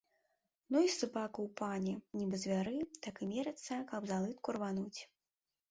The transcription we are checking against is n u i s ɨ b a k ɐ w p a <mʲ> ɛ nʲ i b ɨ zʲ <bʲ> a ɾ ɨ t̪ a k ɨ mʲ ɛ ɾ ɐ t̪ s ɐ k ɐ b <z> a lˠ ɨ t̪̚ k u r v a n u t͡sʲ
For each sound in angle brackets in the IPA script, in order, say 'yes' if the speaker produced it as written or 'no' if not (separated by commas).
no, no, yes